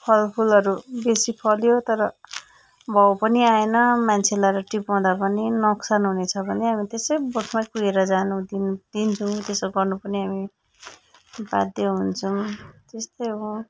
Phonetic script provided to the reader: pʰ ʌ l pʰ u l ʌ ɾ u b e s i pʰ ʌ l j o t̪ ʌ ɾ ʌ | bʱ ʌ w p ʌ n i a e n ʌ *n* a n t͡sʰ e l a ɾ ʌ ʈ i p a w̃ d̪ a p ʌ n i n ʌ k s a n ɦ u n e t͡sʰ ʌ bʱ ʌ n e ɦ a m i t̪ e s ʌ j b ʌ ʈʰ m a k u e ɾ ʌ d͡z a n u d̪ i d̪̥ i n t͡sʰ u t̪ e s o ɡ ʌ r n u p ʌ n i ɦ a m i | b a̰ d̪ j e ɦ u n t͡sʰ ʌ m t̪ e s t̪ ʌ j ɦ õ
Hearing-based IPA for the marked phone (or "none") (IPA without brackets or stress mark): m